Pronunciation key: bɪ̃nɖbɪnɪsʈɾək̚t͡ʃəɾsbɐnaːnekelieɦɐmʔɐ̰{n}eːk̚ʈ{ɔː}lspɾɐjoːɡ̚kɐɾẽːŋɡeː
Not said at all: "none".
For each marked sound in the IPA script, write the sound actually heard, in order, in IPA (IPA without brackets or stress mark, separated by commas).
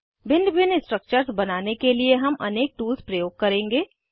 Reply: n, uː